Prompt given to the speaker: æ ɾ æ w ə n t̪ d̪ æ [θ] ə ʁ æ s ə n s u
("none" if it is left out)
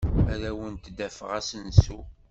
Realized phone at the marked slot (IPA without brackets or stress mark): f